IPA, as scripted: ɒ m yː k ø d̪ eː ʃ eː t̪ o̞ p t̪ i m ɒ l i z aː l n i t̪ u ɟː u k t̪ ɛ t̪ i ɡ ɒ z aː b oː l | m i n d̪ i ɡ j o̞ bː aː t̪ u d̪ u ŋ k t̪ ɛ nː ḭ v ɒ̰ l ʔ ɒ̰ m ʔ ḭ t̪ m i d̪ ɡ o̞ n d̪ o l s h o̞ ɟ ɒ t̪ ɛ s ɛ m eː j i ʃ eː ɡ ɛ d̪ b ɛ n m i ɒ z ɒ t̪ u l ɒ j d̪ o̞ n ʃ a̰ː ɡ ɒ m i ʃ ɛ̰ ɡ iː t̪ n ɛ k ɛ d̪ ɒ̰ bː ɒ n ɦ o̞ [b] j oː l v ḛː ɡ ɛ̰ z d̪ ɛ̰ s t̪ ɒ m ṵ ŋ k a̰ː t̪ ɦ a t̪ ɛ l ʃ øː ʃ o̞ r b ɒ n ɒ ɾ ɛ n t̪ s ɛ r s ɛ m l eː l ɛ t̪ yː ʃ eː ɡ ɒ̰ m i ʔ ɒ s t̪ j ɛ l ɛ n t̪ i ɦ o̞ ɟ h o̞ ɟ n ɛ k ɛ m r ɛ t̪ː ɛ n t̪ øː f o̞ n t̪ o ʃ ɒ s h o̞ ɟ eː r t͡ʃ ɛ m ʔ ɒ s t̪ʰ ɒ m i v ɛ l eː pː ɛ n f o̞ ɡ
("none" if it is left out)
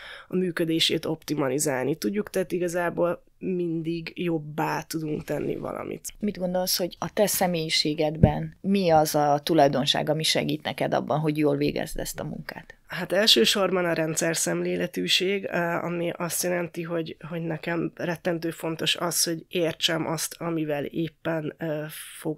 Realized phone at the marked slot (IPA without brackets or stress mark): ɟ